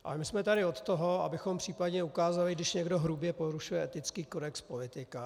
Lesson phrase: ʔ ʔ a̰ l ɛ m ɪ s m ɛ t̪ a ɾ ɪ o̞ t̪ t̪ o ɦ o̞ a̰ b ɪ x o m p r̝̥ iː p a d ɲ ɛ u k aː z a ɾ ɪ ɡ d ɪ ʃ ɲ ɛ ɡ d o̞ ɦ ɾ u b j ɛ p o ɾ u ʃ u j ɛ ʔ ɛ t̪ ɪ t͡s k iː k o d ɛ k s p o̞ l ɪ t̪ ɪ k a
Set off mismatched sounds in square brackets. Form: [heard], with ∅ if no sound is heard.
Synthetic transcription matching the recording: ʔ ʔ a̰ l ɛ m ɪ s m ɛ t̪ a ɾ ɪ o̞ t̪ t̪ o ɦ o̞ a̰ b ɪ x o m p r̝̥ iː p a d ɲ ɛ u k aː z a [l] ɪ ɡ d ɪ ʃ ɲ ɛ ɡ d o̞ ɦ ɾ u b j ɛ p o ɾ u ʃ u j ɛ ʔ ɛ t̪ ɪ t͡s k iː k o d ɛ k s p o̞ l ɪ t̪ ɪ k a